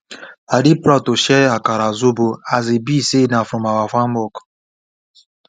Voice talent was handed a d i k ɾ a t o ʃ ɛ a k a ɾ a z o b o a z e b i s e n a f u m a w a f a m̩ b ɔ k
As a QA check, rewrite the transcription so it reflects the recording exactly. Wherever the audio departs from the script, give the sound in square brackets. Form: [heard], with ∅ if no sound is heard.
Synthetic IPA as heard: a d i [p] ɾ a t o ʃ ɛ a k a ɾ a z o b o a z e b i s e n a f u m a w a f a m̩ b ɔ k